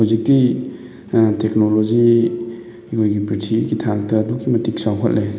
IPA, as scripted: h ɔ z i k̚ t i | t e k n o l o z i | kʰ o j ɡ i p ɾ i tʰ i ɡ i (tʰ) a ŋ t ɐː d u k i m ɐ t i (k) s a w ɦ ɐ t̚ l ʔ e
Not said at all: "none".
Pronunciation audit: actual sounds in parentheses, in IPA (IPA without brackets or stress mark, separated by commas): tʰ, k